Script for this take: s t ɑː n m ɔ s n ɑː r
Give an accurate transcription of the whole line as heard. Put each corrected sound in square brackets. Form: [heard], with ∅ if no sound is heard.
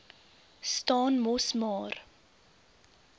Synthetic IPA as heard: s t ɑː n m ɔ s [m] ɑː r

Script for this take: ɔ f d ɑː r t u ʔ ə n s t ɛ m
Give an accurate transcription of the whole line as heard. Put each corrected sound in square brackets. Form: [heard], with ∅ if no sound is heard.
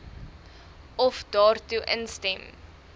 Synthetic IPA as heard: ɔ f d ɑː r t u ʔ ə n s t ɛ m

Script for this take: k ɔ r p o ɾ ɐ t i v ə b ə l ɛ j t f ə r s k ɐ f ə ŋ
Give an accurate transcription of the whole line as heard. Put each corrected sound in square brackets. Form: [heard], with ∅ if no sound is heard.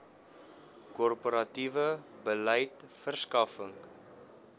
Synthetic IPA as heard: k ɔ r p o ɾ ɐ t i v ə b ə l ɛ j t f ə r s k ɐ f ə ŋ

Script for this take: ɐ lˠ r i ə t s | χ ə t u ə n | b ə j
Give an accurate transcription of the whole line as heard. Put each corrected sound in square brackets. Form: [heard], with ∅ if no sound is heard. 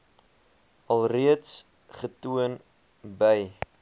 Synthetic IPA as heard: ɐ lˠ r i ə t s | χ ə t u ə n | b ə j

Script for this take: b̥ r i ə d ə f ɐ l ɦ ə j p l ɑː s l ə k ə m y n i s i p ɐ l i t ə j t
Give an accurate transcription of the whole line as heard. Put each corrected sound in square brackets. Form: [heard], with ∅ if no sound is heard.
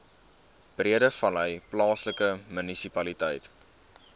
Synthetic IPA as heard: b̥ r i ə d ə f ɐ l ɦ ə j p l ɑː s l ə k ə m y n i s i p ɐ l i t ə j t

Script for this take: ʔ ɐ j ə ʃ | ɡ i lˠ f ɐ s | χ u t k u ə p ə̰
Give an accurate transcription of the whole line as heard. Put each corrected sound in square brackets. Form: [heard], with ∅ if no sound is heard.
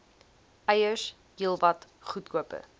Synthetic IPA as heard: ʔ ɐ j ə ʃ | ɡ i lˠ [v] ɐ [t] | χ u t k u ə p ə̰

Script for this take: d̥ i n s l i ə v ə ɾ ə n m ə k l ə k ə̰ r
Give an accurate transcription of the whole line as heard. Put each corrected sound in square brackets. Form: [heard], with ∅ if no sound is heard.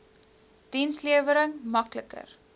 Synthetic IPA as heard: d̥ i n s l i ə v ə ɾ ə [ŋ] m [ɐ] k l ə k ə̰ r

